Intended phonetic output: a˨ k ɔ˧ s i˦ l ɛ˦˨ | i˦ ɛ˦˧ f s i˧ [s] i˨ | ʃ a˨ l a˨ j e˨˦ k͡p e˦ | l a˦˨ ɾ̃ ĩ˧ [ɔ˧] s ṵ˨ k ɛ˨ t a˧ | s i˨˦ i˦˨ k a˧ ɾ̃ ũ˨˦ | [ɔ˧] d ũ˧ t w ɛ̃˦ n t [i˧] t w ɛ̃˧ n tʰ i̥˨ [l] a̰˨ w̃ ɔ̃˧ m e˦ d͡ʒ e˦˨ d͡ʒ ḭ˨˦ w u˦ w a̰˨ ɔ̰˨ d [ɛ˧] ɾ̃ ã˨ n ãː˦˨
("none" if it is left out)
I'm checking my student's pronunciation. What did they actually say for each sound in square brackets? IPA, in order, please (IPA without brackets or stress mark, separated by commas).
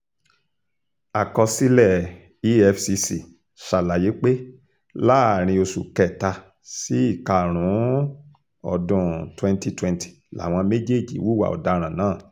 s, o˧, ɔ˧, i˧, l, a˧